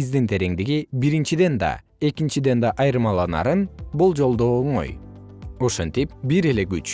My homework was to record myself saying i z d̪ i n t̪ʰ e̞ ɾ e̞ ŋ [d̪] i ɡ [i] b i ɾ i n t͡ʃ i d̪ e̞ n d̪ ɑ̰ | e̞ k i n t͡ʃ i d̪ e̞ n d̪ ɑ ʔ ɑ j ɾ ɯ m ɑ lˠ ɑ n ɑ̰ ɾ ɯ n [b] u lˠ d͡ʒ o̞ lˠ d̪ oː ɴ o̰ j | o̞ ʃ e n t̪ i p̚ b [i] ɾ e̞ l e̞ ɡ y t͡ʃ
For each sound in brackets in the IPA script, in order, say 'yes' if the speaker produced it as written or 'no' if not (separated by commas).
yes, yes, yes, yes